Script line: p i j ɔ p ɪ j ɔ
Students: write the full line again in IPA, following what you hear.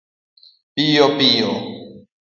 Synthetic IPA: p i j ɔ p i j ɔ

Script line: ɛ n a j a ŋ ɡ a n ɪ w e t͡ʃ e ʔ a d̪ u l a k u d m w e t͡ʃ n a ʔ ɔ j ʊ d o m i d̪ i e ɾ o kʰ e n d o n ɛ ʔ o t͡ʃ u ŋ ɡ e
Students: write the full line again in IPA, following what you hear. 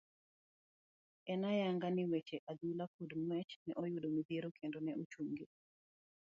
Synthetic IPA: ɛ n a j a ŋ ɡ a n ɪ w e t͡ʃ e ʔ a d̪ u l a k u d m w ɛ t͡ʃ n ɛ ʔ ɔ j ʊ d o m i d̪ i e ɾ o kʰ e n d o n ɛ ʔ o t͡ʃ u ŋ ɡ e

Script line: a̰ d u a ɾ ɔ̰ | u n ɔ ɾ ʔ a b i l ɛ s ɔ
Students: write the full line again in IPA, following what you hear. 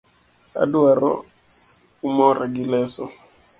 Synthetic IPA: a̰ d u a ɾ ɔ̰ | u m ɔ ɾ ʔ a ɡ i l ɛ s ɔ

